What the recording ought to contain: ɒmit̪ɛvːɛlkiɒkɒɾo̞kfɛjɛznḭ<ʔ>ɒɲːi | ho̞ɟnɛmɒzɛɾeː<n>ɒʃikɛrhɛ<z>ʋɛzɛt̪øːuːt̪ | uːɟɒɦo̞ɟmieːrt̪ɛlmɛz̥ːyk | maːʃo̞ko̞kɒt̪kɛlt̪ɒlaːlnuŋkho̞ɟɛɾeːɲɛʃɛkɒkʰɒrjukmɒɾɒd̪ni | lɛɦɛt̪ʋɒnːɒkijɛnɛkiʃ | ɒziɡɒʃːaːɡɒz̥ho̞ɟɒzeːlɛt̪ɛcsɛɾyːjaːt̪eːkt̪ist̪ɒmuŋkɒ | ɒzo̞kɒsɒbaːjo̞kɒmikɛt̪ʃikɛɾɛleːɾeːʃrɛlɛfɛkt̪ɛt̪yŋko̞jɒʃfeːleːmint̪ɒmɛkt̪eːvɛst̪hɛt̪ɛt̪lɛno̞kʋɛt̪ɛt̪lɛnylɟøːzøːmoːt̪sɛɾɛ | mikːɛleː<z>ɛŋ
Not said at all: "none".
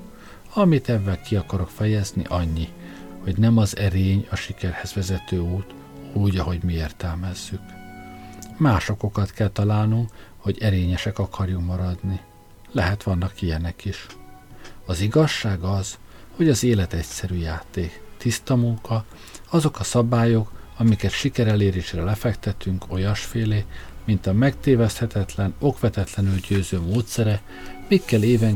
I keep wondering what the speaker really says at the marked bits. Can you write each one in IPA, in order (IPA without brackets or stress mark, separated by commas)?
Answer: ʔ, ɲ, z, v